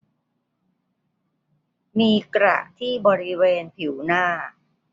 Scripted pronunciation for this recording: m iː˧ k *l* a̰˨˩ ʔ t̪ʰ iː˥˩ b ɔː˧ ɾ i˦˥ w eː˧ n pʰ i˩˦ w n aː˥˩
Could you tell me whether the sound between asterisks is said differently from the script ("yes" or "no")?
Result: yes